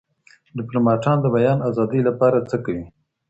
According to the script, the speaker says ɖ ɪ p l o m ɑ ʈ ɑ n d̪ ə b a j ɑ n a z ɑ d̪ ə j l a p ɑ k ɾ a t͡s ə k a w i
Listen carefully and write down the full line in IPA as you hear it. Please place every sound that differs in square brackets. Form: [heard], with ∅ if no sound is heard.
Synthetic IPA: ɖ ɪ p l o m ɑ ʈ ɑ n d̪ ə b a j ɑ n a z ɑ d̪ ə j l a p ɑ [∅] ɾ a t͡s ə k a w i